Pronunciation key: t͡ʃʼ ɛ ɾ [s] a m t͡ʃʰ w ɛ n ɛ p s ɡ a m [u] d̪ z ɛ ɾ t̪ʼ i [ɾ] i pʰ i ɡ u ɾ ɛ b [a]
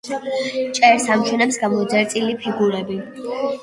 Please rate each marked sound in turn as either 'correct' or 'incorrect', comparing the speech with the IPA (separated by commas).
correct, incorrect, incorrect, incorrect